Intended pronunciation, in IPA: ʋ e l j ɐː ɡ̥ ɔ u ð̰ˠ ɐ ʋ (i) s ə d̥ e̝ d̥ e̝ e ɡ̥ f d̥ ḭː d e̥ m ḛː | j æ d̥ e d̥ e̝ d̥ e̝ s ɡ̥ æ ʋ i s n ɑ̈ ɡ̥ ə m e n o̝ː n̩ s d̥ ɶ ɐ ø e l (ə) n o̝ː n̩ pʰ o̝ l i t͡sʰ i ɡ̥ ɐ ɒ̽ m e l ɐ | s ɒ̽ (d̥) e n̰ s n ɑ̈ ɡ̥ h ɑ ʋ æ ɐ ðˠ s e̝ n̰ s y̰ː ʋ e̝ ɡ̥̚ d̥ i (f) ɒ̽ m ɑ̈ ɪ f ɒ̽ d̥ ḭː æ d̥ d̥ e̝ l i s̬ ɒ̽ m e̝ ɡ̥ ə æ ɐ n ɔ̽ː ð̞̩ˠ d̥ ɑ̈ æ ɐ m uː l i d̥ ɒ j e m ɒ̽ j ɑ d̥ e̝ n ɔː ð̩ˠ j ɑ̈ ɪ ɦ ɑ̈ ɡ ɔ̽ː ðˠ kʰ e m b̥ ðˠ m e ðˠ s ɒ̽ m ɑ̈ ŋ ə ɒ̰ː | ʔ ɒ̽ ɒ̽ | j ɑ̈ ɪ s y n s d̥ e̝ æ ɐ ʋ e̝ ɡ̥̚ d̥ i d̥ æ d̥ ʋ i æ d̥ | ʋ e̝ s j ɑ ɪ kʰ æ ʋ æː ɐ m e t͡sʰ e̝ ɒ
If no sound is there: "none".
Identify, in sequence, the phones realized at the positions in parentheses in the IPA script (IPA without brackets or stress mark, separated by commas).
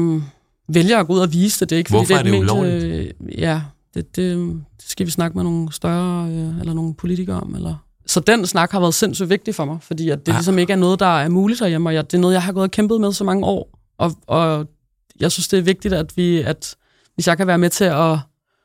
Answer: iː, ɐ, d̥, f